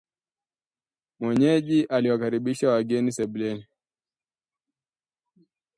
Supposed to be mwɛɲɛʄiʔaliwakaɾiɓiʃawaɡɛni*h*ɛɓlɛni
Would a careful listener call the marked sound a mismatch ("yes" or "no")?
yes